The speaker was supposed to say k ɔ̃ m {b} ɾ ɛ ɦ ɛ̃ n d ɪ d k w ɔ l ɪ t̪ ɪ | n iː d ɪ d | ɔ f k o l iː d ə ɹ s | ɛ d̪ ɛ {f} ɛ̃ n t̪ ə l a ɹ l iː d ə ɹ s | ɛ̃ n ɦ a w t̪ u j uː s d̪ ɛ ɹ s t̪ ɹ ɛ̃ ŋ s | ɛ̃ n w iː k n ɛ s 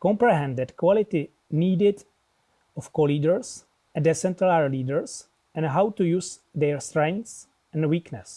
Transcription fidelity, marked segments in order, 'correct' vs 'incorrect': incorrect: p, incorrect: s

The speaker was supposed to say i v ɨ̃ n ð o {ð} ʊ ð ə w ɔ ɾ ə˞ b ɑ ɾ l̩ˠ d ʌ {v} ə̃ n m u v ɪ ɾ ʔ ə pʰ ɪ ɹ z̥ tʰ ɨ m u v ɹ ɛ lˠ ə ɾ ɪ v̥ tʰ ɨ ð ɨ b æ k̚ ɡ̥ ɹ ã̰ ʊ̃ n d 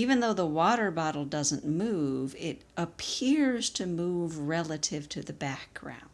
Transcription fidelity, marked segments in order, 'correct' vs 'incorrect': incorrect: none, incorrect: z

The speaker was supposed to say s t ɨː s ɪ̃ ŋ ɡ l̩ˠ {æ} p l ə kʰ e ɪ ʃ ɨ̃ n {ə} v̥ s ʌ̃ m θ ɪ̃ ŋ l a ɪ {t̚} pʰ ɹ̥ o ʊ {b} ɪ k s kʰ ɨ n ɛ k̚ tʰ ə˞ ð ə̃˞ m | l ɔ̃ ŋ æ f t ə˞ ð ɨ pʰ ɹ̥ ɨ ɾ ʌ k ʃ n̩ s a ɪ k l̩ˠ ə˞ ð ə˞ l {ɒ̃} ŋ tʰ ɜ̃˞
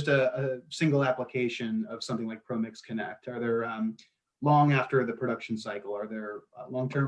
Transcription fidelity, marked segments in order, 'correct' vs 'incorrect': correct, incorrect: ʌ, incorrect: k̚, incorrect: m, incorrect: ɔ̃

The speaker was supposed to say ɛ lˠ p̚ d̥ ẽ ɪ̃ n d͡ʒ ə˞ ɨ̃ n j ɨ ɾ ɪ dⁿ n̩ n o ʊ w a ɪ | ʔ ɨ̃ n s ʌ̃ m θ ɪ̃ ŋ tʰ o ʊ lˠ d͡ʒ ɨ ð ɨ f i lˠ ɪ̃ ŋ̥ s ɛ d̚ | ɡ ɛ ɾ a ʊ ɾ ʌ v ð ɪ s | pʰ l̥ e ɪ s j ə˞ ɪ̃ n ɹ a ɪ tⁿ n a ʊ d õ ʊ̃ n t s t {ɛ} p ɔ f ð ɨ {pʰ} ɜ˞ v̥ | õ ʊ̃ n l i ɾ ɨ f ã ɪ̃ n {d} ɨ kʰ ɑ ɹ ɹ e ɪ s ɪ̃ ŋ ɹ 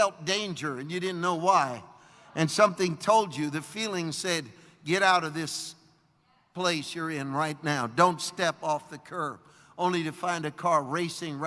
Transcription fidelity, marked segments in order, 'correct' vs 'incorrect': correct, incorrect: kʰ, correct

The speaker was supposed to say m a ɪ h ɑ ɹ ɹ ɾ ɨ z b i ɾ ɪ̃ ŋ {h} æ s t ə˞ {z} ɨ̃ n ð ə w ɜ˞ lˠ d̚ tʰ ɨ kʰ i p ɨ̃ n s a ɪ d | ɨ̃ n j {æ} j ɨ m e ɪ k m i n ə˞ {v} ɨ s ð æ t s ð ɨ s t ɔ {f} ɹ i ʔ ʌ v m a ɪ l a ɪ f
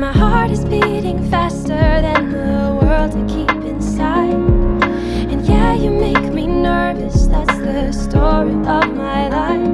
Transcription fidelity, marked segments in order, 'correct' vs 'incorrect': incorrect: f, incorrect: ð, correct, correct, incorrect: none

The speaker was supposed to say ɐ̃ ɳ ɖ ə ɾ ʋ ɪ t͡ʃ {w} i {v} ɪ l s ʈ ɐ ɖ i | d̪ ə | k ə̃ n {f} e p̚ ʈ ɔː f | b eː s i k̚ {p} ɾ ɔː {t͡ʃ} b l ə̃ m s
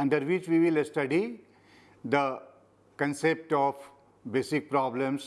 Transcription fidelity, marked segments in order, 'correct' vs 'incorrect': incorrect: ʋ, incorrect: ʋ, incorrect: s, correct, incorrect: none

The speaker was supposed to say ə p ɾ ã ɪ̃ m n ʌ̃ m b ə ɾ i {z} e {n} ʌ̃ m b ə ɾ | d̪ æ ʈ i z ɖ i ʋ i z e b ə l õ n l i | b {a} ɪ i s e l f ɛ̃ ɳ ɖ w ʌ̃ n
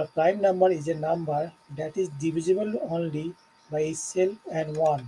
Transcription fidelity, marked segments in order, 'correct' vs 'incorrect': correct, correct, correct

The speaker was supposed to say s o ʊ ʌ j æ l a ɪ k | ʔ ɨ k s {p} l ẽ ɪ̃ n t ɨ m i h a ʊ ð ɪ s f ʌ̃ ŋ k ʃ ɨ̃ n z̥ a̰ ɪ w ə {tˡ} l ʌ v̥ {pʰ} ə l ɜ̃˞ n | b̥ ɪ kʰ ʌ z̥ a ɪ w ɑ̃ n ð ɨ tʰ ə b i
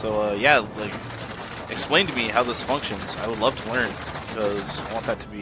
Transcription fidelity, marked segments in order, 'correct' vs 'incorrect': correct, incorrect: dˡ, incorrect: tʰ

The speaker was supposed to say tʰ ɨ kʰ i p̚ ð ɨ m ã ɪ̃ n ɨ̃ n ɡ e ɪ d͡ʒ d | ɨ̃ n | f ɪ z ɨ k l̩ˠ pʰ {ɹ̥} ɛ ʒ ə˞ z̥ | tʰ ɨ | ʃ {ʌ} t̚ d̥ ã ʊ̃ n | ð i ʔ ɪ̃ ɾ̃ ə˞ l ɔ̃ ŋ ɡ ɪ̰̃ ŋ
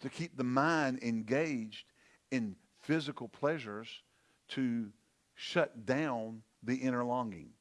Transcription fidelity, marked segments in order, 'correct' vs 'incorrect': incorrect: l̥, correct

